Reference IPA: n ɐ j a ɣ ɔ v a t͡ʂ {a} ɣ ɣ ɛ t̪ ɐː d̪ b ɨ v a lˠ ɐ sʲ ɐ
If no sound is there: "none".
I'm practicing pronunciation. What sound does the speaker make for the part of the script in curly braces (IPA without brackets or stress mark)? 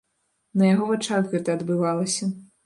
a